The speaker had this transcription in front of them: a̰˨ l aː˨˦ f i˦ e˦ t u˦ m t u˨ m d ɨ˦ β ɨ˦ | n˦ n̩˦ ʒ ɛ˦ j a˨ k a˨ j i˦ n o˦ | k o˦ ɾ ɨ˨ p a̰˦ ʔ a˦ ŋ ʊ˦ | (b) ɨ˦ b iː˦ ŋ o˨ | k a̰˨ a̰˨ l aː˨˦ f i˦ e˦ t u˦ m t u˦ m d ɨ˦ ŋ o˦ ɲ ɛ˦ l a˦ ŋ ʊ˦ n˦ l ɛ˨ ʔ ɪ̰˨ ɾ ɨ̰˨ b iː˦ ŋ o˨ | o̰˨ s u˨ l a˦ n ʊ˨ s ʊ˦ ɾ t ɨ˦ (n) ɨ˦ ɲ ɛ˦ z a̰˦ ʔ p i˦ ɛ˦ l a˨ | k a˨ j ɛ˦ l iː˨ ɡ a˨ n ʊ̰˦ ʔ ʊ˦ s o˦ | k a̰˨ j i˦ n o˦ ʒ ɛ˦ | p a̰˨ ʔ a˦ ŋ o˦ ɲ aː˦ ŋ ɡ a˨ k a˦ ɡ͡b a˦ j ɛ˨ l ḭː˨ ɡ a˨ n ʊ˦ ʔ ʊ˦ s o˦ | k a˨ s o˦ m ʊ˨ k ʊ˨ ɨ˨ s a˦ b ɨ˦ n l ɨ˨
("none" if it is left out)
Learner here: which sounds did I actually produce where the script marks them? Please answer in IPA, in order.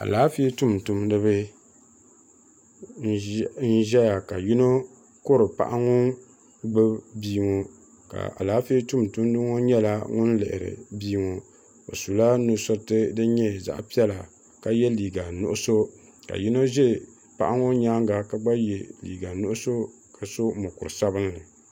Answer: ɡ͡b, d

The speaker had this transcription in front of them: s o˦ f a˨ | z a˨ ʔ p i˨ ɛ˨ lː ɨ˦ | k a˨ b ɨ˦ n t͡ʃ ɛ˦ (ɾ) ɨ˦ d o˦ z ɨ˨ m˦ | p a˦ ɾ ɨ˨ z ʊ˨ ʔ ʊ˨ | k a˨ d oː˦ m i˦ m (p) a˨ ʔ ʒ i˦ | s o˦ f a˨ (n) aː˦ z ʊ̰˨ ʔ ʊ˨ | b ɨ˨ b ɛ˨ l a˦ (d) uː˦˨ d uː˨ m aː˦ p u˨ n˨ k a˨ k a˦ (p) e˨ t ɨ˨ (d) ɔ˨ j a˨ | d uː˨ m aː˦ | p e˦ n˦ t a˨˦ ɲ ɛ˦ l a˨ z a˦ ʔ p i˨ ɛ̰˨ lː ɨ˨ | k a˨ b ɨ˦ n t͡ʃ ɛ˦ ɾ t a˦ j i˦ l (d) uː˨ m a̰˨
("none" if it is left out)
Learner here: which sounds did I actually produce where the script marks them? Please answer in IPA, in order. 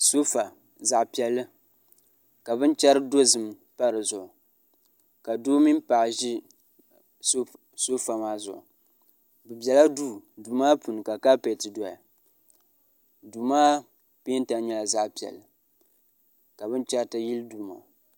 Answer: ɾ, p, m, d, p, d, d

